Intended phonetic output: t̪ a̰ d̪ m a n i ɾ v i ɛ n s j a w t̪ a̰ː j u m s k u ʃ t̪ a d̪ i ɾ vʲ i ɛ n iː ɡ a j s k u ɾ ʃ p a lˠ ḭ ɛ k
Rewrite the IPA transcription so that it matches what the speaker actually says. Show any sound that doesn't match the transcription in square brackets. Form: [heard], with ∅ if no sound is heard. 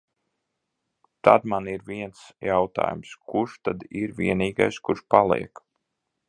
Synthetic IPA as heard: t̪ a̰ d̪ m a n i ɾ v i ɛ n s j a w t̪ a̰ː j u m s k u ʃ t̪ a d̪ i ɾ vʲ i ɛ n iː ɡ a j s k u ɾ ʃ p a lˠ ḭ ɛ k